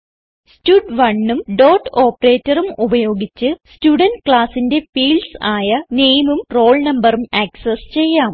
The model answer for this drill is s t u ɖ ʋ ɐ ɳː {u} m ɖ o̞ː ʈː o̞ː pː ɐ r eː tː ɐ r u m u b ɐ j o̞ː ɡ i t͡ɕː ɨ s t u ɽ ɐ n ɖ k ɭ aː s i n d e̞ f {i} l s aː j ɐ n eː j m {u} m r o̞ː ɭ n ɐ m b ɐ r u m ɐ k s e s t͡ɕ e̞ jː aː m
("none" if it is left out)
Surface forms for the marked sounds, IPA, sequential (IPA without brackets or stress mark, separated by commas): u, iː, u